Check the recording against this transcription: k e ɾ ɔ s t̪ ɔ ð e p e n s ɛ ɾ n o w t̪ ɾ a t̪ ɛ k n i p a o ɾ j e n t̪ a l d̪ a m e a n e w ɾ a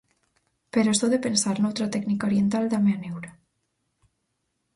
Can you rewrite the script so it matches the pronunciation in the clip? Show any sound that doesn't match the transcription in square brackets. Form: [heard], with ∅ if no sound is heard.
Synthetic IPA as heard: [p] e ɾ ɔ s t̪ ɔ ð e p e n s [a] ɾ n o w t̪ ɾ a t̪ ɛ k n i [k] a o ɾ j e n t̪ a l d̪ a m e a n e w ɾ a